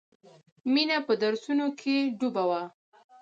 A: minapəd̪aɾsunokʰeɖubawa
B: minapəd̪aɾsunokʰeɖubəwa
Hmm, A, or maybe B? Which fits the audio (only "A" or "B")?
A